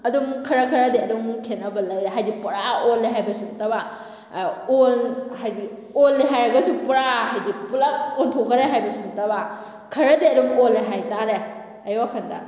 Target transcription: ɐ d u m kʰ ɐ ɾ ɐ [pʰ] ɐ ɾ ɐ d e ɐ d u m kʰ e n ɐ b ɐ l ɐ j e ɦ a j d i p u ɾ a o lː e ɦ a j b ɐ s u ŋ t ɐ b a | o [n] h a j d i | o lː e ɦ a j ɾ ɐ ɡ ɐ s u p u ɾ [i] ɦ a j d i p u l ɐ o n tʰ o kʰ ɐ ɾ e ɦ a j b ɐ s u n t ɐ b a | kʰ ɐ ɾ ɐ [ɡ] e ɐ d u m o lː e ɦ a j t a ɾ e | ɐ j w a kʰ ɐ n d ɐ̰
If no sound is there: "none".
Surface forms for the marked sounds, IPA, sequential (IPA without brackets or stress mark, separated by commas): kʰ, n, a, d